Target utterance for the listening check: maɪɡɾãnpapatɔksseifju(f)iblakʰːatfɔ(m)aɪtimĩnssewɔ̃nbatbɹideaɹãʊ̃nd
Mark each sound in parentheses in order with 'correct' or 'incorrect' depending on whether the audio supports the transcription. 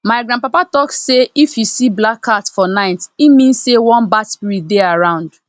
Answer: incorrect: s, incorrect: n

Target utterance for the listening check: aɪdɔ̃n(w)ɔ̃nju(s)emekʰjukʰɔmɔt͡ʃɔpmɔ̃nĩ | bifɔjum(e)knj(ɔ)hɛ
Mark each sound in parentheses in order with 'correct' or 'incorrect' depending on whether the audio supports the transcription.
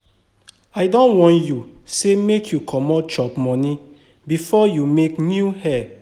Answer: correct, correct, correct, incorrect: u

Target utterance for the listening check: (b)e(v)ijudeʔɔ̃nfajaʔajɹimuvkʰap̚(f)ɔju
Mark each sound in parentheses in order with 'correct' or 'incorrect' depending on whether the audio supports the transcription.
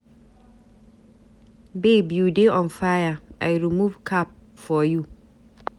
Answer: correct, incorrect: b, correct

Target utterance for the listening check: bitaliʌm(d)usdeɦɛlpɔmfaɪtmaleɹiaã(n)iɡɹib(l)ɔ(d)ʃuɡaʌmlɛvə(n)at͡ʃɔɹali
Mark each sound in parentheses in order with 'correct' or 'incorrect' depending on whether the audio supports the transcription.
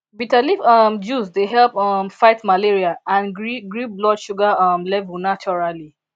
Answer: incorrect: d͡ʒ, correct, correct, correct, correct

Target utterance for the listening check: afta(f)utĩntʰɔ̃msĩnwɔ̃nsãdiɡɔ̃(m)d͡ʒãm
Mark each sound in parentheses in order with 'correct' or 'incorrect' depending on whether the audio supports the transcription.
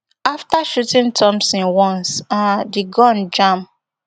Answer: incorrect: ʃ, incorrect: n

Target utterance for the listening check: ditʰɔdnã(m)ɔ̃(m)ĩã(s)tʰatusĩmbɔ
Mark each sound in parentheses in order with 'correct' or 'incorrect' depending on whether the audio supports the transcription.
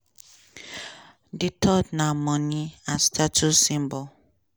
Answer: correct, incorrect: n, correct

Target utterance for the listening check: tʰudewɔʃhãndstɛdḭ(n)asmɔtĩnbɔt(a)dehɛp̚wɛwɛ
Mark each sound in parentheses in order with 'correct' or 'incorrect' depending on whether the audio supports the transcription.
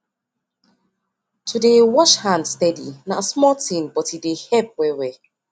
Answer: correct, incorrect: i

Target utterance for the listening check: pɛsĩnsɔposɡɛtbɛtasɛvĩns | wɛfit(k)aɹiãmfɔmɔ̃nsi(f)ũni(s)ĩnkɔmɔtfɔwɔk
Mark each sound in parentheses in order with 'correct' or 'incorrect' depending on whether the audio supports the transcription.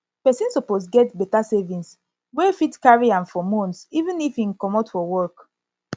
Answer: correct, incorrect: v, incorrect: f

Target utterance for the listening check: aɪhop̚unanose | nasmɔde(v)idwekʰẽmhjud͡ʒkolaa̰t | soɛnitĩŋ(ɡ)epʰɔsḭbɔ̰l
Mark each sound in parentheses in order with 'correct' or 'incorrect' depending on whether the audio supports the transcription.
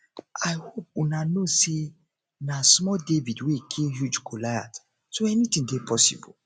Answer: correct, incorrect: d

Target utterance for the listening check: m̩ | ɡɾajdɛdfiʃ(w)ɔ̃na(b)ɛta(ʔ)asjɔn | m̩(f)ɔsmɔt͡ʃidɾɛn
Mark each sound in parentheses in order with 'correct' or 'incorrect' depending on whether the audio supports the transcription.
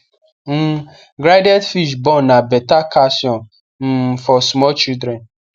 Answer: incorrect: b, correct, incorrect: k, correct

